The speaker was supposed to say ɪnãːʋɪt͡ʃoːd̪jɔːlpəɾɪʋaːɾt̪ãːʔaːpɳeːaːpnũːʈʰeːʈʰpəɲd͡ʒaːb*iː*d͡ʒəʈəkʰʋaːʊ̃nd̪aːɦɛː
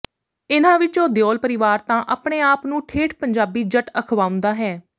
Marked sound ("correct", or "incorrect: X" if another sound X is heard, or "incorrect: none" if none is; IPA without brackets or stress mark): correct